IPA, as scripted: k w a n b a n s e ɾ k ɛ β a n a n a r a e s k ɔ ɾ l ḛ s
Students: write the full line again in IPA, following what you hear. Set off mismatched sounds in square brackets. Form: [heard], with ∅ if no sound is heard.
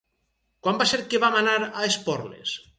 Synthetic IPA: k w a [m] b a [∅] s e ɾ k [e] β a [m] a n a [ɾ] a e s [p] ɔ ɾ l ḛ s